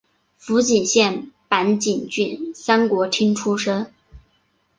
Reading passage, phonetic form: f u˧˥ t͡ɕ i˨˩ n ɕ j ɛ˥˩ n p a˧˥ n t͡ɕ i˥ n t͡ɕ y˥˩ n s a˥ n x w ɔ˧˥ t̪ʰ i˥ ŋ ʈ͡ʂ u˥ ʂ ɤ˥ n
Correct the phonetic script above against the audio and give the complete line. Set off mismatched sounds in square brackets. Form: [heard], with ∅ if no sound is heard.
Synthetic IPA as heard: f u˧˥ t͡ɕ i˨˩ n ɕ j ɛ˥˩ n p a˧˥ n t͡ɕ [i˨˩] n t͡ɕ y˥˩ n s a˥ n [k] w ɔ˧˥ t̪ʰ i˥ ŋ [ʈ͡ʂʰ] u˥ ʂ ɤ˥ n